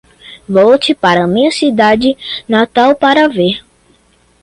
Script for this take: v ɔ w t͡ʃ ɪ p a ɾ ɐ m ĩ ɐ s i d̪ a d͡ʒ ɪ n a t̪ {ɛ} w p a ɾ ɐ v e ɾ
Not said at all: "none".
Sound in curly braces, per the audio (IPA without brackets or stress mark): a